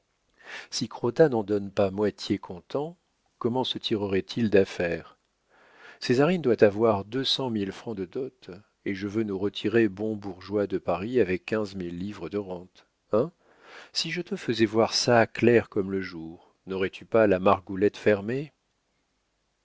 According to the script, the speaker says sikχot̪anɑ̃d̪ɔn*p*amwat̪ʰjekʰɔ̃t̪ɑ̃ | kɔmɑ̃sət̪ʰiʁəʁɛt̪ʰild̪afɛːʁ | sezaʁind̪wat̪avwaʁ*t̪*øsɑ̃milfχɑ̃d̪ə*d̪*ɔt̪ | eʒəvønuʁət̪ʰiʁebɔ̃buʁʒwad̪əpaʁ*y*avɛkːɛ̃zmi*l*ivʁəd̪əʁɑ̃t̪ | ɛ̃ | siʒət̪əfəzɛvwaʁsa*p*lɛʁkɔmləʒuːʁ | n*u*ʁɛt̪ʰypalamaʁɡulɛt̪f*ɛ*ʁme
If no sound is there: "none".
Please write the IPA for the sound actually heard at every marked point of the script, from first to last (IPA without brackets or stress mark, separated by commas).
p, d̪, d̪, i, lː, k, ɔ, ɛ